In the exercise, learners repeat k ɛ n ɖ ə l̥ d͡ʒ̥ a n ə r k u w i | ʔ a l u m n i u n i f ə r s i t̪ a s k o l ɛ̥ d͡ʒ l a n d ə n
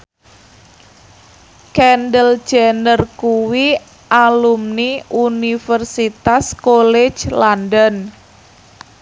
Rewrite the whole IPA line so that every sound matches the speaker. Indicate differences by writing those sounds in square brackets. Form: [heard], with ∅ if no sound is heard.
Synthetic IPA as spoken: k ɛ n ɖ ə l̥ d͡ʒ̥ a n ə r k u w i | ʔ a l u m n i u n i f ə r s i t̪ a s k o l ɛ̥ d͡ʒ l a n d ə n